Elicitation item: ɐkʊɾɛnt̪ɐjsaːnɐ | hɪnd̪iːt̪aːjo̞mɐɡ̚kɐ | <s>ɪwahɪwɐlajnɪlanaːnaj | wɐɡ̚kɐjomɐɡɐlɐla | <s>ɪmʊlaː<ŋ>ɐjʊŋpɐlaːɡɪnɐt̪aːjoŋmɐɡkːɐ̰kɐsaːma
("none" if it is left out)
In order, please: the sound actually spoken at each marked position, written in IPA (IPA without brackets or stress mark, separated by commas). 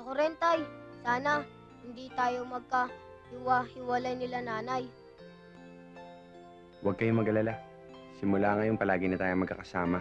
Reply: h, s, ŋ